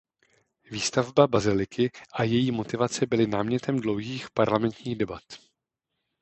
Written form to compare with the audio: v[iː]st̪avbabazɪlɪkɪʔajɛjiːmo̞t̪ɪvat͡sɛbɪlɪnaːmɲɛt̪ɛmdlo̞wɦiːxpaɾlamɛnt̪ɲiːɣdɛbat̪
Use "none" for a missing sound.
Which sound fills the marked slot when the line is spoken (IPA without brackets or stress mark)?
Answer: iː